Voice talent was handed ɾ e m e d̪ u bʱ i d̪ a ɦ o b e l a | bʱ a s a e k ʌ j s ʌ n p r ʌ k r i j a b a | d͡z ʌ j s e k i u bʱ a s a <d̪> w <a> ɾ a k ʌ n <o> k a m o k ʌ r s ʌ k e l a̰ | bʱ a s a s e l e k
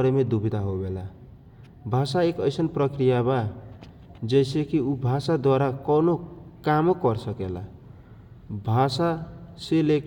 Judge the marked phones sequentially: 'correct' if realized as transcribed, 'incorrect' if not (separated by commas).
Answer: correct, correct, correct